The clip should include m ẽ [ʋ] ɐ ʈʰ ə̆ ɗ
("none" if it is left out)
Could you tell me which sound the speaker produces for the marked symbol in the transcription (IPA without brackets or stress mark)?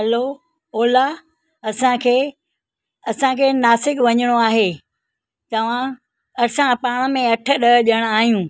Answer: none